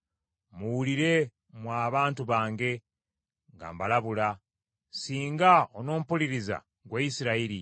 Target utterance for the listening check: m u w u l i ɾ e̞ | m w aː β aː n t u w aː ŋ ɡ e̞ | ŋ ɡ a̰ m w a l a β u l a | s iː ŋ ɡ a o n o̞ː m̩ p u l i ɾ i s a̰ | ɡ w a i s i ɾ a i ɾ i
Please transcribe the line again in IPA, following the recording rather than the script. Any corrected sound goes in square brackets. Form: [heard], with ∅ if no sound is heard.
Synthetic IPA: m u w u l i ɾ e̞ | m w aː β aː n t u [β] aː ŋ ɡ e̞ | ŋ ɡ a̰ m [b] a l a β u l a | s iː ŋ ɡ a o n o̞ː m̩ p u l i ɾ i [z] a̰ | ɡ w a i s i ɾ a i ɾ i